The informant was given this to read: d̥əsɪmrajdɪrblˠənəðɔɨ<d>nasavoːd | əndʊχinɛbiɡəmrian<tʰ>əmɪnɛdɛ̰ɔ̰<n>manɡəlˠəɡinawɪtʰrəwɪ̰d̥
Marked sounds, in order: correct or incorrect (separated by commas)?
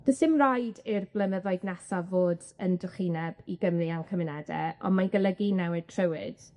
correct, incorrect, correct